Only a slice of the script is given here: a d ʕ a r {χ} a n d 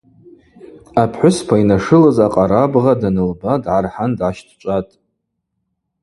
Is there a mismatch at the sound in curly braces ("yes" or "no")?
yes